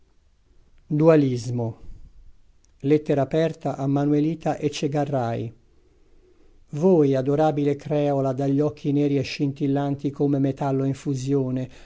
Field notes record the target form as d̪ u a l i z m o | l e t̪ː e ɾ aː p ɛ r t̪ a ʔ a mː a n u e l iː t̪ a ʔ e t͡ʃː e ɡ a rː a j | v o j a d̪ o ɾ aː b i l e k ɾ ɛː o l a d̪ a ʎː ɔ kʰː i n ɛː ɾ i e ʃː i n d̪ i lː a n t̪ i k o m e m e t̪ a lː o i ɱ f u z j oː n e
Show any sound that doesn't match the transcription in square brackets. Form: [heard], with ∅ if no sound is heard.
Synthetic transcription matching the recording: d̪ u a l i z m o | l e t̪ː e ɾ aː p ɛ r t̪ a ʔ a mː a n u e l iː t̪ a ʔ e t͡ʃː e ɡ a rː a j | v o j a d̪ o ɾ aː b i l e k ɾ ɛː o l a d̪ a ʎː ɔ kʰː i n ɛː ɾ i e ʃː i n [t̪] i lː a n t̪ i k o m e m e t̪ a lː o i ɱ f u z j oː n e